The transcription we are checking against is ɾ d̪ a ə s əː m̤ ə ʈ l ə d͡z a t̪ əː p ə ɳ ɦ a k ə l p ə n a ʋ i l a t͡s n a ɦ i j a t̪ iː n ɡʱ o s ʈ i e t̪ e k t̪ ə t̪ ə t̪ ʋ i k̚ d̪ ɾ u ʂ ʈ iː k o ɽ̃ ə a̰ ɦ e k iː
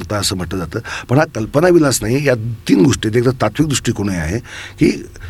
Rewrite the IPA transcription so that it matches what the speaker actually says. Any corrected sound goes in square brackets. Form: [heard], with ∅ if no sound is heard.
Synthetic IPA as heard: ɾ [t̪] a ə s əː m̤ ə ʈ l ə d͡z a t̪ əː p ə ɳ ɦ a k ə l p ə n a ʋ i l a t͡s n a ɦ i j a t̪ iː n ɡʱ o [ʂ] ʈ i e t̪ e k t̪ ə t̪ [a] t̪ ʋ i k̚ d̪ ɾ u ʂ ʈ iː k o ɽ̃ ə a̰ ɦ e k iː